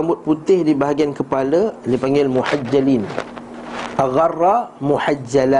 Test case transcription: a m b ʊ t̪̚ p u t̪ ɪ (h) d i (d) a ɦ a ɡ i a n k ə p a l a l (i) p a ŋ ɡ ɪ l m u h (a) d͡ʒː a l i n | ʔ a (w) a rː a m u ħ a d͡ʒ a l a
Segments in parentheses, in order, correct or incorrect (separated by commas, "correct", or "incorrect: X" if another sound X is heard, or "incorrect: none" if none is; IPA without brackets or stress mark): correct, incorrect: b, correct, correct, incorrect: ɣ